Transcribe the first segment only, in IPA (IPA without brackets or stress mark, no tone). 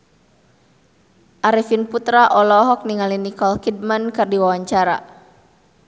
ʔ